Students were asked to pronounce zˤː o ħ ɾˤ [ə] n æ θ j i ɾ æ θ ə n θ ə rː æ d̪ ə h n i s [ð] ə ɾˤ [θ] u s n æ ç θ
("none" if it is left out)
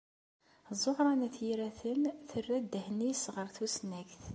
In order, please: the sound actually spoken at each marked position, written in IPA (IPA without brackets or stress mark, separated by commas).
ɑ, ʁ, θ